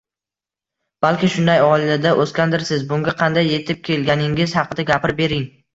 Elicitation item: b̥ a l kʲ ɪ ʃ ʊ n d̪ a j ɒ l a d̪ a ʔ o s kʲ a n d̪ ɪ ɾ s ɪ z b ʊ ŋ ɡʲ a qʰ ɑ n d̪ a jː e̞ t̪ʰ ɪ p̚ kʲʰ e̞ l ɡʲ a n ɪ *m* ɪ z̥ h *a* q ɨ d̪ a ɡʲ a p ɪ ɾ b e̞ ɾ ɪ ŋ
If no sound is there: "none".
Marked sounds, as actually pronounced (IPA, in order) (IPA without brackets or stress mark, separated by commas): ŋ, ɑ